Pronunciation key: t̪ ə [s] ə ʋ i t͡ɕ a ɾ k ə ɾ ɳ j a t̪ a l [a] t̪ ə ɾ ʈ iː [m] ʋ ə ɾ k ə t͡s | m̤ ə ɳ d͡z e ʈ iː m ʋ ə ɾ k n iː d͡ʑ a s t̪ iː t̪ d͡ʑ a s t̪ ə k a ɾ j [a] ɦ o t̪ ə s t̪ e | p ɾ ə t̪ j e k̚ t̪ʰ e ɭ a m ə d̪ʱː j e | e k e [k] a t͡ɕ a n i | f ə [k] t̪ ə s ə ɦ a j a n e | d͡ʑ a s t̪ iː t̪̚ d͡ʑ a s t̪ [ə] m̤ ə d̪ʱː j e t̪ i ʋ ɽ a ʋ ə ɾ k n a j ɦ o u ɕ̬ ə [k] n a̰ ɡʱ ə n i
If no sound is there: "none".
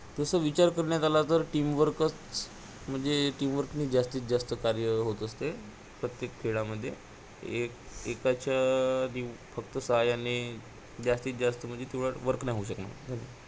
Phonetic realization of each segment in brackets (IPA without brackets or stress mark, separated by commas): s, a, m, ə, k, k, ə, k